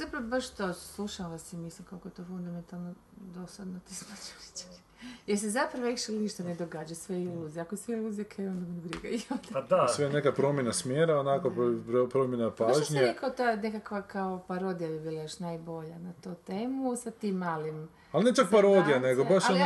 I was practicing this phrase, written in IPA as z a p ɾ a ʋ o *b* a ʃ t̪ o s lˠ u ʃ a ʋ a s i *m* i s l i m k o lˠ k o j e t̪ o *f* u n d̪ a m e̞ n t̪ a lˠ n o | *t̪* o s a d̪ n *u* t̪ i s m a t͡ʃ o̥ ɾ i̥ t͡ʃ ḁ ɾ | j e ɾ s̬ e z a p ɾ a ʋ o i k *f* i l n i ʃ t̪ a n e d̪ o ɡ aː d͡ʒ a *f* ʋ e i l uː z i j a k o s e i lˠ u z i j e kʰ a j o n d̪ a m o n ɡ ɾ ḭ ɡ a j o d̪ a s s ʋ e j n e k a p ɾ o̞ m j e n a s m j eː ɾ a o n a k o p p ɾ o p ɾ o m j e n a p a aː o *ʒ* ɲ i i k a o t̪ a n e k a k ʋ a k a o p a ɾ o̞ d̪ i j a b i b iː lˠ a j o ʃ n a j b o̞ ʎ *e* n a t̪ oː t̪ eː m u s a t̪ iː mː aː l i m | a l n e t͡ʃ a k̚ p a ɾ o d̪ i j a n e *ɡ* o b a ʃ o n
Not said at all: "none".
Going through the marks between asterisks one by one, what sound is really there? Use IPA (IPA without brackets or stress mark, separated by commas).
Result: b, m, f, d̪, o, ʃ, s, ʒ, a, ɡ